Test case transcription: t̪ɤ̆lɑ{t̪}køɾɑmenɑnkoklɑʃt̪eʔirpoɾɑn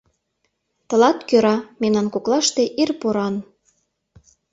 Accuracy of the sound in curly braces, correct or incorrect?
correct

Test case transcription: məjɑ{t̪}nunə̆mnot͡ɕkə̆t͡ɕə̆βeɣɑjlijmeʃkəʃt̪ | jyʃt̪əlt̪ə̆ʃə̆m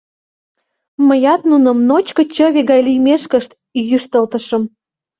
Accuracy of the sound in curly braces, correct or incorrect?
correct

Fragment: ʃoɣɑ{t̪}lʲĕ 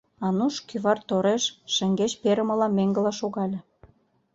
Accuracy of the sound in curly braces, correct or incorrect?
incorrect: none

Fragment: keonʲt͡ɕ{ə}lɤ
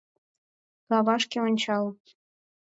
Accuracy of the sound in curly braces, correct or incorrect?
incorrect: ɑ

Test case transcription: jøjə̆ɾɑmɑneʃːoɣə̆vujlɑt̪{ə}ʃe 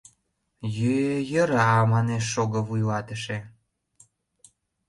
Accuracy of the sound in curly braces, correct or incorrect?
correct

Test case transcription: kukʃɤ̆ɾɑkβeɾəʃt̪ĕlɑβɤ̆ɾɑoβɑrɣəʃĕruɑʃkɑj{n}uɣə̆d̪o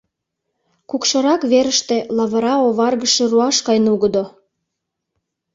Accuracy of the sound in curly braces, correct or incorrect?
correct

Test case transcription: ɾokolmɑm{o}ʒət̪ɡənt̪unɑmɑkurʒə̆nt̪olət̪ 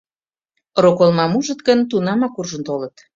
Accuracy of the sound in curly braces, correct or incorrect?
incorrect: u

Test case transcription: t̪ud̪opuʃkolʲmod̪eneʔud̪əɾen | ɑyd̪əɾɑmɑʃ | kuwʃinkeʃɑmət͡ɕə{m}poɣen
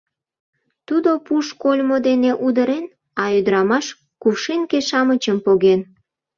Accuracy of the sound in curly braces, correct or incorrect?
correct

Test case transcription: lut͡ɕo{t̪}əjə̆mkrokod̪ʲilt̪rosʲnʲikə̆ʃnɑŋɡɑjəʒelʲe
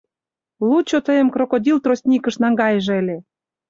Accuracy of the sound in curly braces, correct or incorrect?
correct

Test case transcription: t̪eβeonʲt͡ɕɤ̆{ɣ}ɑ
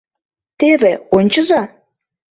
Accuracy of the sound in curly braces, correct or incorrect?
incorrect: z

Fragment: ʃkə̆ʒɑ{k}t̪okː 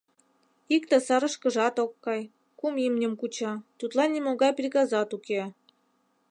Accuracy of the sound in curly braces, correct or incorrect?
incorrect: none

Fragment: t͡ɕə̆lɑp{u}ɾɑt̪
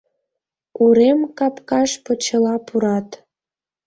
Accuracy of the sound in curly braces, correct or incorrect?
correct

